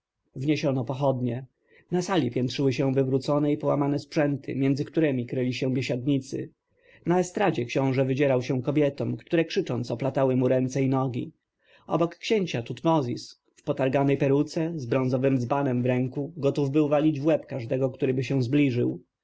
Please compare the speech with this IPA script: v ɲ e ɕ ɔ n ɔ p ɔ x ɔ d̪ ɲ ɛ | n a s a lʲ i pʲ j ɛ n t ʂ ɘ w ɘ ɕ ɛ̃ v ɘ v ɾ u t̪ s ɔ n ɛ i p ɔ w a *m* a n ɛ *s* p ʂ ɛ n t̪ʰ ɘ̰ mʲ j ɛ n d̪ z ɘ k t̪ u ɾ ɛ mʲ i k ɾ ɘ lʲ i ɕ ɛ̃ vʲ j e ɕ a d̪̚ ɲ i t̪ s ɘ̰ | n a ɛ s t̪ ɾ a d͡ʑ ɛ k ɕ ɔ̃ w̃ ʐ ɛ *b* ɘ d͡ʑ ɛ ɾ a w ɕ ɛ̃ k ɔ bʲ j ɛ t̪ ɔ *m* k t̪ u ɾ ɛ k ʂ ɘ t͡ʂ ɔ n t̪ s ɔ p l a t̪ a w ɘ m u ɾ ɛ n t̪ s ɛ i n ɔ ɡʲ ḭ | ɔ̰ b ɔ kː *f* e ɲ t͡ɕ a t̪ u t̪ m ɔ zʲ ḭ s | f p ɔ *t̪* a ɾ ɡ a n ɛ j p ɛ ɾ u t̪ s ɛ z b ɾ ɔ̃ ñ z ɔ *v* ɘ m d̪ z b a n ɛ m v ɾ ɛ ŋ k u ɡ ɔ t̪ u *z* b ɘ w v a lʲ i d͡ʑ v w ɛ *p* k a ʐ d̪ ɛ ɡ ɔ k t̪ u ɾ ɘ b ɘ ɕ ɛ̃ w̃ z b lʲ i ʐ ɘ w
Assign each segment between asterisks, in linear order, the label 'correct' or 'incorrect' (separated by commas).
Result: correct, correct, incorrect, correct, incorrect, correct, correct, incorrect, correct